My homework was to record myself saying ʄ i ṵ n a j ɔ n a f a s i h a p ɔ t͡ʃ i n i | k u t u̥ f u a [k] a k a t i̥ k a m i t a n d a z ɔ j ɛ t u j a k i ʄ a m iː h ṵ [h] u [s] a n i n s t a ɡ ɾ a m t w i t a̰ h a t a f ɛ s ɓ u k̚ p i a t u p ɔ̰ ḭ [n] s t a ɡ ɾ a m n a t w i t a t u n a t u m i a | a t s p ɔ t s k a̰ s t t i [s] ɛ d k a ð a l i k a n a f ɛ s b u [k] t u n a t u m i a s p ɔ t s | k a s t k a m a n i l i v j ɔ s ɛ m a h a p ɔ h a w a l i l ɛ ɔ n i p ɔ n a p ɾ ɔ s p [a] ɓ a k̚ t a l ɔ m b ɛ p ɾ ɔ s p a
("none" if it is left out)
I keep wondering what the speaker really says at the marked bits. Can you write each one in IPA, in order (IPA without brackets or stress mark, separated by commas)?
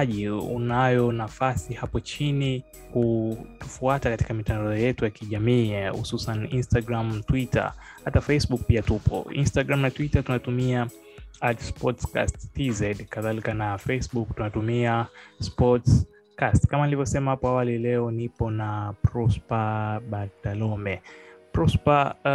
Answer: t, s, s, n, z, k, a